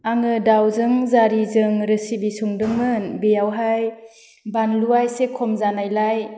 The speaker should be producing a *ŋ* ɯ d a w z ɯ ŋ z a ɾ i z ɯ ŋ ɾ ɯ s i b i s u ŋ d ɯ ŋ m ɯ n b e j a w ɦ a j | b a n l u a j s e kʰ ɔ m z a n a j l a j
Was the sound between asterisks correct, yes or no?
yes